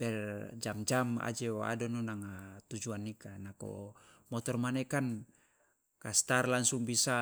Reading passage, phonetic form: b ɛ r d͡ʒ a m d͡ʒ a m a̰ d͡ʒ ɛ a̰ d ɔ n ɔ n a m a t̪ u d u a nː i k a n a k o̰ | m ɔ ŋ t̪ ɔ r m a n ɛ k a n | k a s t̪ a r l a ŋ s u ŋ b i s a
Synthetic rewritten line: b ɛ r d͡ʒ a m d͡ʒ a m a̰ d͡ʒ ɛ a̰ d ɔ n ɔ n a ŋ a t̪ u d͡ʒ u a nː i k a n a k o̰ | m ɔ t̪ ɔ r m a n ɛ k a n | k a s t̪ a r l a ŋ s u ŋ b i s a